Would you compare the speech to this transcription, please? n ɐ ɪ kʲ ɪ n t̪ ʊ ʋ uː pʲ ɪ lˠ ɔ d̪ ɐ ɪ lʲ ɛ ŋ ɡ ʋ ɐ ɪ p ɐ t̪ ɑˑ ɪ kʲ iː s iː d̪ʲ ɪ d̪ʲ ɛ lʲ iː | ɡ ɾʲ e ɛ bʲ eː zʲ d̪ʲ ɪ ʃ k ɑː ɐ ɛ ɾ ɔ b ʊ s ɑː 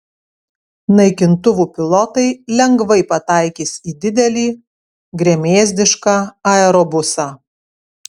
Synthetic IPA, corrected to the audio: n ɐ ɪ kʲ ɪ n t̪ ʊ ʋ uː pʲ ɪ lˠ ɔ t̪ ɐ ɪ lʲ ɛ ŋ ɡ ʋ ɐ ɪ p ɐ t̪ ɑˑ ɪ kʲ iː s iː d̪ʲ ɪ d̪ʲ ɛ lʲ iː | ɡ ɾʲ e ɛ mʲ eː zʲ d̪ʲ ɪ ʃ k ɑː ɐ ɛ ɾ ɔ b ʊ s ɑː